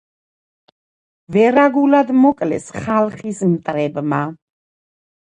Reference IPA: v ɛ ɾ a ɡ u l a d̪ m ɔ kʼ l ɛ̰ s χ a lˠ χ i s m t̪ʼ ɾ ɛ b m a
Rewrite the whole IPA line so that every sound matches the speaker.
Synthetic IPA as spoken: v ɛ ɾ a ɡ u l a d̪ m ɔ kʼ l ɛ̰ s χ a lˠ χ i s m t̪ʼ ɾ ɛ b m a